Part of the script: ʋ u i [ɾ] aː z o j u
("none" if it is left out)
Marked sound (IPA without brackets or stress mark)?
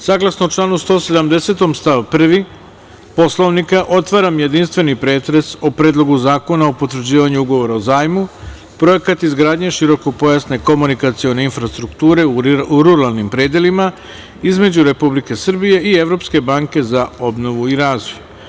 ɾ